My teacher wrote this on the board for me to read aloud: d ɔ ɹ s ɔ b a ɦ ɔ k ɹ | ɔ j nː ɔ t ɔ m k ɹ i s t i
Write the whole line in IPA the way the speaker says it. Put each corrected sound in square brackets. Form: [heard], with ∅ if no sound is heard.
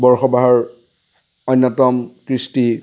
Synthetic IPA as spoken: [b] ɔ ɹ [x] ɔ b a ɦ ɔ [∅] ɹ | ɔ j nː ɔ t ɔ m k ɹ i s t i